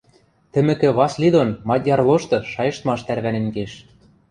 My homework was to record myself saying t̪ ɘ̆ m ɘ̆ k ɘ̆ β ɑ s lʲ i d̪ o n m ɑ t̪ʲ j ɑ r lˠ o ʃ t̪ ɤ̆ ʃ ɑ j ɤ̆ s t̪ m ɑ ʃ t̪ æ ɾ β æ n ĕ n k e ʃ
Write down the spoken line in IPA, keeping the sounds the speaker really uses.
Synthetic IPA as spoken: t̪ ɘ̆ m ɘ̆ k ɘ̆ β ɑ s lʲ i d̪ o n m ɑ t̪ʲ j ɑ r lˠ o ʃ t̪ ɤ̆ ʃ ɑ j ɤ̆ ʃ t̪ m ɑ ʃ t̪ æ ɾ β æ n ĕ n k e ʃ

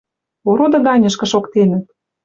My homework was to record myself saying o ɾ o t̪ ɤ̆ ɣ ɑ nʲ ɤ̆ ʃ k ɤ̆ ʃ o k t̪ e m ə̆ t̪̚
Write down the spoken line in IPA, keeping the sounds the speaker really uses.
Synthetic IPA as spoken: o ɾ o d̪ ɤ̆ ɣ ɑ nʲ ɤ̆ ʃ k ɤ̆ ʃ o k t̪ e n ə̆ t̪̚

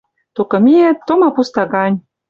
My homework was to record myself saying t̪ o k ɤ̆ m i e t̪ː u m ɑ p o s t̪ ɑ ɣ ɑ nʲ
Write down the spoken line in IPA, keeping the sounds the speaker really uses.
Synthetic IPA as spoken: t̪ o k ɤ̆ m i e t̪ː o m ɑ p u s t̪ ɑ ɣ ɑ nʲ

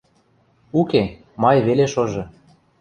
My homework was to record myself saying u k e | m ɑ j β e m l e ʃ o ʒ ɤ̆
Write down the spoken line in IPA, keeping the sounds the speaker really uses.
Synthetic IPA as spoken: u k e | m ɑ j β e l e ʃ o ʒ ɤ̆

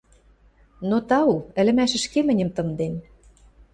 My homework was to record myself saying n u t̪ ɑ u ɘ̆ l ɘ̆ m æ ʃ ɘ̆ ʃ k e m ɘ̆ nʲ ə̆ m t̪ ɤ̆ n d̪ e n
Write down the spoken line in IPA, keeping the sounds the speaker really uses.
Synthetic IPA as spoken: n o t̪ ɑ u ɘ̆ l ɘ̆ m æ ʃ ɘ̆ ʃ k e m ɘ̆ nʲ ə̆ m t̪ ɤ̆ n d̪ e n

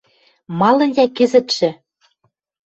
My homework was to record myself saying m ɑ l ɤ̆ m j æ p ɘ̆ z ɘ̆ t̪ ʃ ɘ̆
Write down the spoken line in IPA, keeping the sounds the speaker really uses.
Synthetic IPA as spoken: m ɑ l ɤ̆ n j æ k ɘ̆ z ɘ̆ t̪ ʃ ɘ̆

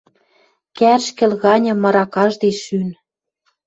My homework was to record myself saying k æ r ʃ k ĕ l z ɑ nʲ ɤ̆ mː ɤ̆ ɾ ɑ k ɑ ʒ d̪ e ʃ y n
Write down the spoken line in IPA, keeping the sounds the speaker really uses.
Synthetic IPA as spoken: k æ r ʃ k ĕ l ɣ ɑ nʲ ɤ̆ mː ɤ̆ ɾ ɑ k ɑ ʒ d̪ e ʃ y n

